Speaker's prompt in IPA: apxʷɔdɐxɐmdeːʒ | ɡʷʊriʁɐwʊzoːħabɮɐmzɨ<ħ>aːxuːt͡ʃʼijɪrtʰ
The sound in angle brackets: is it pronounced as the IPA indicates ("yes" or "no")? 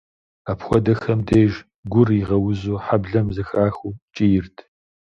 no